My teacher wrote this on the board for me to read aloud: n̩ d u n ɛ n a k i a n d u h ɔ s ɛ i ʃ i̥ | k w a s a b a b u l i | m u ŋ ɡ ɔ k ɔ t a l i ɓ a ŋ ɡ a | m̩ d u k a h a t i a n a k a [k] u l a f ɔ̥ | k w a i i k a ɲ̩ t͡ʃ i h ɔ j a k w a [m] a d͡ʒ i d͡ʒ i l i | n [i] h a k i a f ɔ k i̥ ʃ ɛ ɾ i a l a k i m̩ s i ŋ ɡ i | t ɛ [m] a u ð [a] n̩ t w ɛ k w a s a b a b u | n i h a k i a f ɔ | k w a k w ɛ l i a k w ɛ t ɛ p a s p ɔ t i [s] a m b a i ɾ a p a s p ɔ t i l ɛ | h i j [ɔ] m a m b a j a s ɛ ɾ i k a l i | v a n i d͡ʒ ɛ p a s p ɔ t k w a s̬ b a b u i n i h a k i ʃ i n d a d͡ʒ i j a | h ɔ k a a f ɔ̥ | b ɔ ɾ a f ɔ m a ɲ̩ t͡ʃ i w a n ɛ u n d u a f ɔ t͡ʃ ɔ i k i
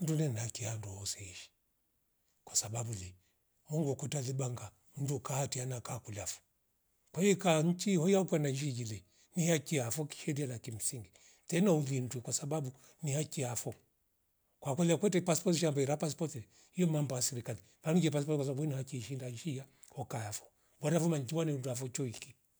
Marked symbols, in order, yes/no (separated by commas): yes, no, yes, no, no, no, yes